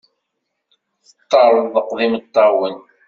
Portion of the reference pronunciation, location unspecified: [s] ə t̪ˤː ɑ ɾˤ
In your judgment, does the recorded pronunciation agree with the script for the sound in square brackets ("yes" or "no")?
no